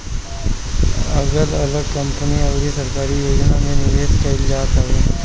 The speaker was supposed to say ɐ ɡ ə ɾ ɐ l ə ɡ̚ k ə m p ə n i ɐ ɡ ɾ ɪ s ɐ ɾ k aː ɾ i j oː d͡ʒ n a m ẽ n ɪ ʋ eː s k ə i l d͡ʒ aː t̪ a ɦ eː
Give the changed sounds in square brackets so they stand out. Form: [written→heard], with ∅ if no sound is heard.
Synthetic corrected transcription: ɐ ɡ ə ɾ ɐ l ə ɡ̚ k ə m p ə n i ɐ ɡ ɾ [ɪ→i] s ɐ ɾ k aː ɾ i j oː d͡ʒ n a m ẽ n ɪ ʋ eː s k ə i l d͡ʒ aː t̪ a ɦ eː